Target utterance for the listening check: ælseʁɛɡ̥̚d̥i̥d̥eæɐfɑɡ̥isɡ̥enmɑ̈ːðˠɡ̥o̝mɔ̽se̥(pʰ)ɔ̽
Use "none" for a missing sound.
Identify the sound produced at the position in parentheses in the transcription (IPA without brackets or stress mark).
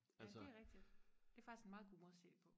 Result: pʰ